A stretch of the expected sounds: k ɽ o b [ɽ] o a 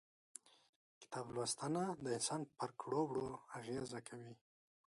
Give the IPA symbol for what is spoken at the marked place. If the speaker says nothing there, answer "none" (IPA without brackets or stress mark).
ɽ